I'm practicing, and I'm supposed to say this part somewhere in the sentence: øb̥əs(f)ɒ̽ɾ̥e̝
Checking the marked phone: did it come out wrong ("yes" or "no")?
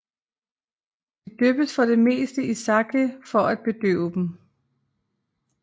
no